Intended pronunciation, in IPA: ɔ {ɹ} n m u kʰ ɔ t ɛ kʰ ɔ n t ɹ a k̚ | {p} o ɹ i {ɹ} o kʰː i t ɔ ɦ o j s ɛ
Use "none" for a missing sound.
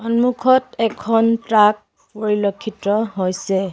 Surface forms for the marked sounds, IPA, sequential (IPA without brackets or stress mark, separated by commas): none, p, l